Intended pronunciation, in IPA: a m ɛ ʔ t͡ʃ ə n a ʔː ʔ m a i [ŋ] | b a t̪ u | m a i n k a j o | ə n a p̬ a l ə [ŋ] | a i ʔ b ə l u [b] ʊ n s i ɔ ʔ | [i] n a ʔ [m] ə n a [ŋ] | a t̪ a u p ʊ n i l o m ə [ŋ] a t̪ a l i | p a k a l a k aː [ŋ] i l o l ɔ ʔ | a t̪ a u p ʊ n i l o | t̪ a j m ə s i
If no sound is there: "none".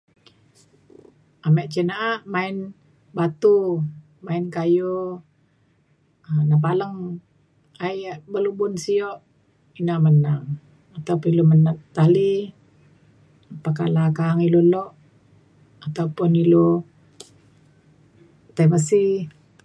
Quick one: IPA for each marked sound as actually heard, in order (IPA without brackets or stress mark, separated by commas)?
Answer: n, ŋ, b, i, m, ŋ, n, ŋ